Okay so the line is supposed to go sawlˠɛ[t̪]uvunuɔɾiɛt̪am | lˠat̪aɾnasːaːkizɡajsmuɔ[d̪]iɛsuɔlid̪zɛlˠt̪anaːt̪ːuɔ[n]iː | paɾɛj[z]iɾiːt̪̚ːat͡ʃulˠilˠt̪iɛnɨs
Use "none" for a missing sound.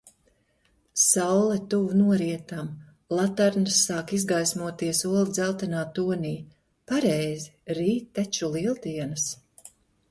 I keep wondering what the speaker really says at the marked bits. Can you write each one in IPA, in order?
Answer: t̪, t̪, n, z

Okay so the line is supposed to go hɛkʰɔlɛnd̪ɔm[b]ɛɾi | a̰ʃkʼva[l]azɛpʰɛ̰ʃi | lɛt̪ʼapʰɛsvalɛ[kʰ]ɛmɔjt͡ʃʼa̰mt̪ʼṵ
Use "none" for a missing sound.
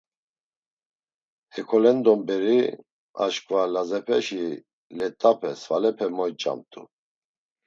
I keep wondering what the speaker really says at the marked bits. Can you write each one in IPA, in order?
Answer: b, l, pʰ

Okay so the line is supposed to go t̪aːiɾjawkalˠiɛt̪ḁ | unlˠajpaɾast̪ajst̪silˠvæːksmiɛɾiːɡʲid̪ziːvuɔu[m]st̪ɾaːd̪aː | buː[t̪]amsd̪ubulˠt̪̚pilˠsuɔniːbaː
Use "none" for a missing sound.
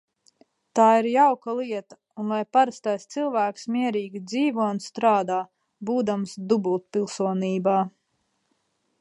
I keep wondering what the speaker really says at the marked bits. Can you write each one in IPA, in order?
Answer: n, d̪

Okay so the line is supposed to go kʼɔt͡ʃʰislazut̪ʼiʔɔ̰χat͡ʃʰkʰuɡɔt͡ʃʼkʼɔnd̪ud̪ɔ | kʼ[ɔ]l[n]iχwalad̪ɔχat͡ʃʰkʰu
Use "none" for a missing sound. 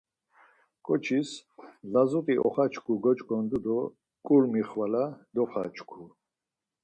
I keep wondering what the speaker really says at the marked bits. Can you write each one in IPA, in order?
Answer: u, m

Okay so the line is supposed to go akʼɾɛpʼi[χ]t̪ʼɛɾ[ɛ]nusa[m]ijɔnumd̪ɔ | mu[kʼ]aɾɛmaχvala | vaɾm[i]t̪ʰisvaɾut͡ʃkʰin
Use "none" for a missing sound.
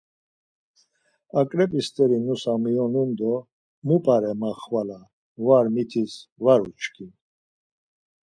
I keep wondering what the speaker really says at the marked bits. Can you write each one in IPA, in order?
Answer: s, i, m, pʼ, i

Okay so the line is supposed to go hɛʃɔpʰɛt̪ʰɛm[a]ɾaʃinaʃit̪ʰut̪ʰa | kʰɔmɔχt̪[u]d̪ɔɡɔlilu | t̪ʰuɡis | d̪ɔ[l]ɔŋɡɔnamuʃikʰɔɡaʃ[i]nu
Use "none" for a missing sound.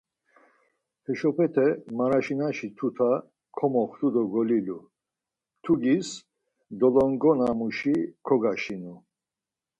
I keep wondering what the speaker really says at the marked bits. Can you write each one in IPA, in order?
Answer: a, u, l, i

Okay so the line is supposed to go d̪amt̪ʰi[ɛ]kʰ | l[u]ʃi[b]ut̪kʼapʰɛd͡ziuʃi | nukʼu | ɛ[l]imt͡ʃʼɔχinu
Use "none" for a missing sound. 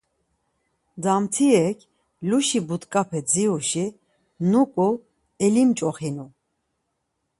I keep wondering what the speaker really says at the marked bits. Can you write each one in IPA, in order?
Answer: ɛ, u, b, l

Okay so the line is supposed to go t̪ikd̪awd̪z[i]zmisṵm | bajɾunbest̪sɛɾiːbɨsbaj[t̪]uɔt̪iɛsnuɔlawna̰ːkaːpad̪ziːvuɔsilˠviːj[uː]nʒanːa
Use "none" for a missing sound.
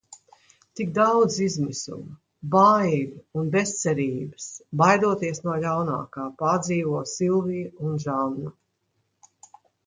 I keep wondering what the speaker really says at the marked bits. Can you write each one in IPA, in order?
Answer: i, d̪, u

